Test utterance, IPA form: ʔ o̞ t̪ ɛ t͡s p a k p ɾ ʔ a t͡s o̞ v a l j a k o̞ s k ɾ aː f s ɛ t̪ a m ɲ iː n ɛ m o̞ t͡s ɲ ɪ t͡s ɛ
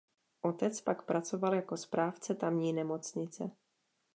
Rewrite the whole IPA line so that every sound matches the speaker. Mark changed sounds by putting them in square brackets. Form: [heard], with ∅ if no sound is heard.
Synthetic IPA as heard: ʔ o̞ t̪ ɛ t͡s p a k p ɾ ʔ a t͡s o̞ v a l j a k o̞ s [p] ɾ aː f [t͡s] ɛ t̪ a m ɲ iː n ɛ m o̞ t͡s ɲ ɪ t͡s ɛ

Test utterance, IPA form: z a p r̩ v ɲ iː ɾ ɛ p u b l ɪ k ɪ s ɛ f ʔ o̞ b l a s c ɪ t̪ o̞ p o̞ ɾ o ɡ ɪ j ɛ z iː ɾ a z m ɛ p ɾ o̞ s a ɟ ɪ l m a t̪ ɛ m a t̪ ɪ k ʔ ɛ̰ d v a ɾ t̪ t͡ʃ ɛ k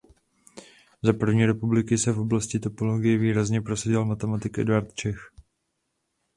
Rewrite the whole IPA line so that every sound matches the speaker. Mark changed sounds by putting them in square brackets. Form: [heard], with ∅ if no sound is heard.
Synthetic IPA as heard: z a p r̩ v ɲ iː ɾ ɛ p u b l ɪ k ɪ s ɛ f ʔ o̞ b l a s c ɪ t̪ o̞ p o̞ [l] o ɡ ɪ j ɛ [v] iː ɾ a z [ɲ] ɛ p ɾ o̞ s a ɟ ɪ l m a t̪ ɛ m a t̪ ɪ k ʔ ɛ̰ d v a ɾ t̪ t͡ʃ ɛ [x]

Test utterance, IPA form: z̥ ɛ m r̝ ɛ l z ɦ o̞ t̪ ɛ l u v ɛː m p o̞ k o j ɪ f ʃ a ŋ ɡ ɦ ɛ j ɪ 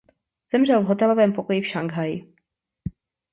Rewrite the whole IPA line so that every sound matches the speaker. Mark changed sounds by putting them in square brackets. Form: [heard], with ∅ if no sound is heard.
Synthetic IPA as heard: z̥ ɛ m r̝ ɛ l [v] ɦ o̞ t̪ ɛ l [o] v ɛː m p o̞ k o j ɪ f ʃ a ŋ ɡ ɦ [a] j ɪ

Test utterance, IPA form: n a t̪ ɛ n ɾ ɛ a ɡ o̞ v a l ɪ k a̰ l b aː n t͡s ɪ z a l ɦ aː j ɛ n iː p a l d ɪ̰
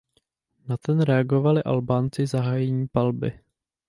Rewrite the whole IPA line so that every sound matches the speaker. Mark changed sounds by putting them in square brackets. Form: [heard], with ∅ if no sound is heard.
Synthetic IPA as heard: n a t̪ ɛ n ɾ ɛ a ɡ o̞ v a l ɪ [ʔ] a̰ l b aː n t͡s ɪ z a [∅] ɦ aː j ɛ [ɲ] iː p a l [b] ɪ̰

